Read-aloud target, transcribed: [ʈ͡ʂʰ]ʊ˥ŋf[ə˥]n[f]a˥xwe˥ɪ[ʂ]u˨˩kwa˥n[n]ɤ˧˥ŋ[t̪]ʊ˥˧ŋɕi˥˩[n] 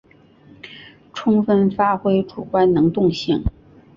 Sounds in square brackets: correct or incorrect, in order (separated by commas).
correct, correct, correct, incorrect, correct, correct, incorrect